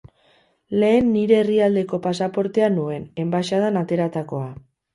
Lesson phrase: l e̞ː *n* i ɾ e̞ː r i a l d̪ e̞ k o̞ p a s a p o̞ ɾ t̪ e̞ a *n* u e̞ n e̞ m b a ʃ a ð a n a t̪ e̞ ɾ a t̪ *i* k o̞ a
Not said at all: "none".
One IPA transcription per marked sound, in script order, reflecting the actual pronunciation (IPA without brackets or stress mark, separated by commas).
nː, n, a